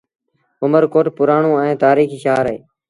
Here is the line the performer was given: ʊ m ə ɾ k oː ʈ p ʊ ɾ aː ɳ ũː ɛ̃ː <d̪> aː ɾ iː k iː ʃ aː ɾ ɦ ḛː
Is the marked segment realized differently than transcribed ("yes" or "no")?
yes